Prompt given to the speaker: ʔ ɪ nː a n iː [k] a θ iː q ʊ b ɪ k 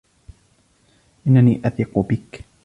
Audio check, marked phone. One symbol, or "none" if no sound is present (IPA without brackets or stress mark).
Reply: ʔ